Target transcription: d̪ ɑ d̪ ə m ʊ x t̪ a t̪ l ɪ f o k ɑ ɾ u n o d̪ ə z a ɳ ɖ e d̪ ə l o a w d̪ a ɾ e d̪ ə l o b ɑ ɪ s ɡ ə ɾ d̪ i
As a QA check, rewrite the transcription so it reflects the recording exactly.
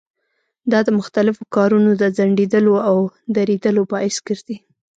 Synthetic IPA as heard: d̪ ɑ d̪ ə m ʊ x t̪ a l ɪ f o k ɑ ɾ u n o d̪ ə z a ɳ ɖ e d̪ ə l o a w d̪ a ɾ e d̪ ə l o b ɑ ɪ s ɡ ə ɾ d̪ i